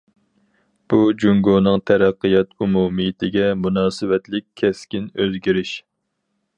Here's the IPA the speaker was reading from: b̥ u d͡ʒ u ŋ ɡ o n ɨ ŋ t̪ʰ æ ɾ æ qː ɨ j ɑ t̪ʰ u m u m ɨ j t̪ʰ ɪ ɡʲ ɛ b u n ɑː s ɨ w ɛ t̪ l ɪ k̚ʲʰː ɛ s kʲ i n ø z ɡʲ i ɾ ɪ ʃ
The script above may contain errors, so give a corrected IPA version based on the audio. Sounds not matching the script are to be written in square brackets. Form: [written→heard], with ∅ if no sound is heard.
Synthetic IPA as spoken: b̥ u d͡ʒ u ŋ ɡ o n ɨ ŋ t̪ʰ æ ɾ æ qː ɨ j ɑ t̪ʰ u m u m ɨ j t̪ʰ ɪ ɡʲ ɛ [b→m] u n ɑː s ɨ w ɛ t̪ l ɪ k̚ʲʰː ɛ s kʲ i n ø z ɡʲ i ɾ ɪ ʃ